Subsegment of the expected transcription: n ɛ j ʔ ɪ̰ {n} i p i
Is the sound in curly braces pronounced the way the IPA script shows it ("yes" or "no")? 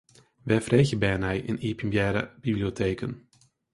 yes